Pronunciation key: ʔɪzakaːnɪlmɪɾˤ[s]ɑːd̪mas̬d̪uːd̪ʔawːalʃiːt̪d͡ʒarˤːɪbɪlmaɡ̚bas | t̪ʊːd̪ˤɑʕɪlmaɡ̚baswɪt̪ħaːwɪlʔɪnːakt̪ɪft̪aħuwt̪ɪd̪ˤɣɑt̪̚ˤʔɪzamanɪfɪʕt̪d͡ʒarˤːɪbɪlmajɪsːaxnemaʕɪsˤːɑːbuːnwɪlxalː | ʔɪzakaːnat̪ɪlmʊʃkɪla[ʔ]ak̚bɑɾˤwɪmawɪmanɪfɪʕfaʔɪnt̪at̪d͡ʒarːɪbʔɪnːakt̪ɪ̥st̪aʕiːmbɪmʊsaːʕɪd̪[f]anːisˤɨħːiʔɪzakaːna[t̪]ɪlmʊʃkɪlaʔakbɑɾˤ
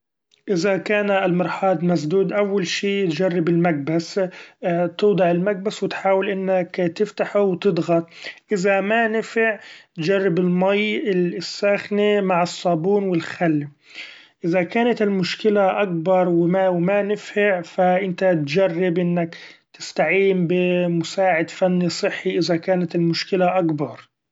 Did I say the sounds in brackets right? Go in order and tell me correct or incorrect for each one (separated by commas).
incorrect, correct, correct, correct